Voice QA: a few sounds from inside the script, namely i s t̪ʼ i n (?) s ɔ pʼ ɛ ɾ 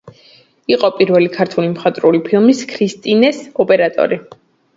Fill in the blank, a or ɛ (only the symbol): ɛ